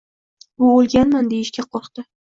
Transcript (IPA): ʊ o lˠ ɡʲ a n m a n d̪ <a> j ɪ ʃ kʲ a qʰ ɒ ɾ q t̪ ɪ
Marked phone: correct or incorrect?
incorrect